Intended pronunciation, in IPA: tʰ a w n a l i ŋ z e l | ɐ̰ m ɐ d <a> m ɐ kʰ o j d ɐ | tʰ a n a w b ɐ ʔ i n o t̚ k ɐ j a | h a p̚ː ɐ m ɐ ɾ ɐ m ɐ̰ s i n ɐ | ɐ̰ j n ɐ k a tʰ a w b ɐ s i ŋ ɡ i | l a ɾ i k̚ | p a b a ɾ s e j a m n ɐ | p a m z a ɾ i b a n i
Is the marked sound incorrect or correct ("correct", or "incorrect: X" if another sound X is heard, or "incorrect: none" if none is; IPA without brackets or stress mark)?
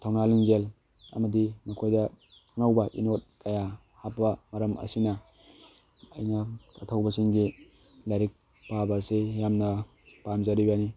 incorrect: i